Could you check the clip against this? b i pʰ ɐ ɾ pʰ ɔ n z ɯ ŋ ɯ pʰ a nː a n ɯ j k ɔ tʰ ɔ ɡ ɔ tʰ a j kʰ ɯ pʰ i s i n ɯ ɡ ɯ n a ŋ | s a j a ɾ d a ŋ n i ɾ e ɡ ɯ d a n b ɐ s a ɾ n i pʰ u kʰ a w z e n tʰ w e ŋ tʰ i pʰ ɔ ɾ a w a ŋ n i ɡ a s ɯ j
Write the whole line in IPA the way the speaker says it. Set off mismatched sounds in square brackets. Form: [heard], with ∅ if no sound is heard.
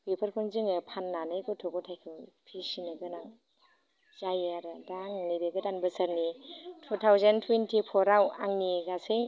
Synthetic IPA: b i pʰ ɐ ɾ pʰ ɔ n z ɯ ŋ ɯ pʰ a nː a n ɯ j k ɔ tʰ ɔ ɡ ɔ tʰ a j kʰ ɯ pʰ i s i n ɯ ɡ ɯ n a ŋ | [z] a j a ɾ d a ŋ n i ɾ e ɡ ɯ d a n b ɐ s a ɾ n i [tʰ] u [tʰ] a w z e n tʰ w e [n] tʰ i pʰ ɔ ɾ a w a ŋ n i ɡ a s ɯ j